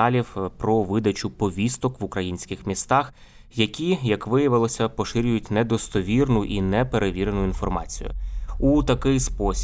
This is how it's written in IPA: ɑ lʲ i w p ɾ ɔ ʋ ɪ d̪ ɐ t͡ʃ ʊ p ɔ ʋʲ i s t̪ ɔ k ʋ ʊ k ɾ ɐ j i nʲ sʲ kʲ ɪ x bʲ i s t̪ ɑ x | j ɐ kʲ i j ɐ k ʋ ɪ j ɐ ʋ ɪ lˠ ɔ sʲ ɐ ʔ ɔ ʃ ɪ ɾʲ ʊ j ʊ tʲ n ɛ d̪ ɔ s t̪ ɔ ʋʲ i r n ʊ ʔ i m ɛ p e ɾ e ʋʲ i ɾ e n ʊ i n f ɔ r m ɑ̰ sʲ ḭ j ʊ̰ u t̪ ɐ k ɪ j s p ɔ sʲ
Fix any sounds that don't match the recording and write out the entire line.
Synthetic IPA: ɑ lʲ i w p ɾ ɔ ʋ ɪ d̪ ɐ t͡ʃ ʊ p ɔ ʋʲ i s t̪ ɔ k ʋ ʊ k ɾ ɐ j i nʲ sʲ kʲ ɪ x mʲ i s t̪ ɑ x | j ɐ kʲ i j ɐ k ʋ ɪ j ɐ ʋ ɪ lˠ ɔ sʲ ɐ p ɔ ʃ ɪ ɾʲ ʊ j ʊ tʲ n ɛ d̪ ɔ s t̪ ɔ ʋʲ i r n ʊ ʔ i n ɛ p e ɾ e ʋʲ i ɾ e n ʊ i n f ɔ r m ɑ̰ t͡sʲ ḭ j ʊ̰ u t̪ ɐ k ɪ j s p ɔ sʲ